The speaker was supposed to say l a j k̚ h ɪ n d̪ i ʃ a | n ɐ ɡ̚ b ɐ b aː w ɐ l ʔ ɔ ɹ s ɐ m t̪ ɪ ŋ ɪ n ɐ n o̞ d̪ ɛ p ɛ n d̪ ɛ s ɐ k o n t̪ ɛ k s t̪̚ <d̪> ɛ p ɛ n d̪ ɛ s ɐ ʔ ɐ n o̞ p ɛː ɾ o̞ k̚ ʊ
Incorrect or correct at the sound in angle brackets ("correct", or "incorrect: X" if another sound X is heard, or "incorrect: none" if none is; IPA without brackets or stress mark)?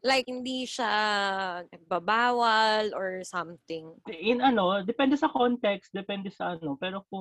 correct